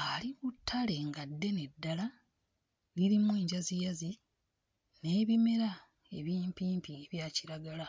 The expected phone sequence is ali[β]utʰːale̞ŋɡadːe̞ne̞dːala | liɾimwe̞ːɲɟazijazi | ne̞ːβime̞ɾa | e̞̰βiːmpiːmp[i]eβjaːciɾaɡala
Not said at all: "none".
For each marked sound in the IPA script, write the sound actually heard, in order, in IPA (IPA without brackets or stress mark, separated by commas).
β, i